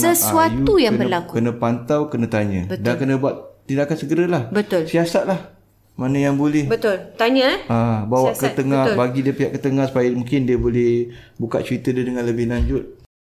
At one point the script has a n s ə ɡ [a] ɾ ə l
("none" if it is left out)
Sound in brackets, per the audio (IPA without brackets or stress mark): ə